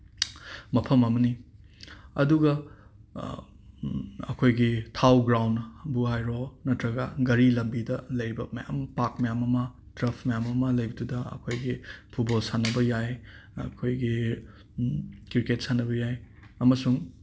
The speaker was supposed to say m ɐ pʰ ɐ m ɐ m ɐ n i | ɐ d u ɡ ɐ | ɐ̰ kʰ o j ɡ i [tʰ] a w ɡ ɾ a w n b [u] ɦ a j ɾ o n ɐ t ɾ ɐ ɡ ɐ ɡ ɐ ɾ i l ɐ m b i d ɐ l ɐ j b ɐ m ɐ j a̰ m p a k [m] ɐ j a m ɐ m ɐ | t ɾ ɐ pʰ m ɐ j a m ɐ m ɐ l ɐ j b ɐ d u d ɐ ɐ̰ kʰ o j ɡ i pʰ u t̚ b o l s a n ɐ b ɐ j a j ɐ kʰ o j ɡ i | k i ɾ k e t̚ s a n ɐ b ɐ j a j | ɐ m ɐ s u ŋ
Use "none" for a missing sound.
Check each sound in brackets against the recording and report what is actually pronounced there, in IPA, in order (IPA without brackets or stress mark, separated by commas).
tʰ, u, m